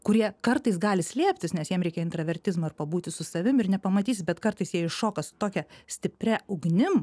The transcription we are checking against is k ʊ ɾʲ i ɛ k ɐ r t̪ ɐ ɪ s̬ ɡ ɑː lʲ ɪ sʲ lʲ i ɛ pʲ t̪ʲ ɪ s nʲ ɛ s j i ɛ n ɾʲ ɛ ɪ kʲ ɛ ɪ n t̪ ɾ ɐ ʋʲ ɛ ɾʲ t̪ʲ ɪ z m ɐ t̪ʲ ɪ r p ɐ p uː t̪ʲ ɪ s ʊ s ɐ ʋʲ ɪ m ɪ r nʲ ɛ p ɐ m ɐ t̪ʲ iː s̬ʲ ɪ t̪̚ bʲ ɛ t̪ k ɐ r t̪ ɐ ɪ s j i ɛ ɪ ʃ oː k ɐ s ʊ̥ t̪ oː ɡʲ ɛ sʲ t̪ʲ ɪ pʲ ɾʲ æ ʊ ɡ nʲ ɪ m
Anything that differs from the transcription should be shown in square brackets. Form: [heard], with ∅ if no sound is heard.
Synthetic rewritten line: k ʊ ɾʲ i ɛ k ɐ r t̪ ɐ ɪ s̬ ɡ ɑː lʲ ɪ sʲ lʲ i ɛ pʲ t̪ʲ ɪ s nʲ ɛ s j i ɛ [m] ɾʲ ɛ ɪ kʲ ɛ ɪ n t̪ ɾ ɐ ʋʲ ɛ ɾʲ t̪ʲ ɪ z m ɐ [∅] ɪ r p ɐ [b] uː t̪ʲ ɪ s ʊ s ɐ ʋʲ ɪ m ɪ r nʲ ɛ p ɐ m ɐ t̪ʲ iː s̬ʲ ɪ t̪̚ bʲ ɛ t̪ k ɐ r t̪ ɐ ɪ s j i ɛ ɪ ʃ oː k ɐ s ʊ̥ t̪ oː [kʲ] ɛ sʲ t̪ʲ ɪ pʲ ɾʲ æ ʊ ɡ nʲ ɪ m